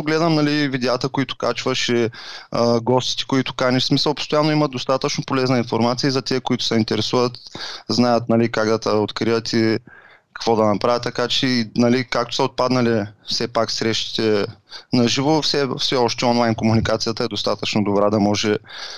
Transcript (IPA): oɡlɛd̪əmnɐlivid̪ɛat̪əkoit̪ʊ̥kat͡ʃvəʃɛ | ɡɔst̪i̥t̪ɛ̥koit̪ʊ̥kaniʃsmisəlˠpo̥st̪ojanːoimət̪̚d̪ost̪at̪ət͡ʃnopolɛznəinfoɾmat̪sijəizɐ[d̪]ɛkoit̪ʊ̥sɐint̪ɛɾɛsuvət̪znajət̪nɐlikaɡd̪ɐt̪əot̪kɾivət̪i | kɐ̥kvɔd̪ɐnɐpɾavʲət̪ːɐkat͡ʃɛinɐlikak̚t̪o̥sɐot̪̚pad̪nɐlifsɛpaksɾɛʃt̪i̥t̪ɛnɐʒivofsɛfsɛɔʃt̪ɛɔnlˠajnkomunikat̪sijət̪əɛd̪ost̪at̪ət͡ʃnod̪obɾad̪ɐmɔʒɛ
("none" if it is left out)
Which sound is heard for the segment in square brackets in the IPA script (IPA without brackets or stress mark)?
t̪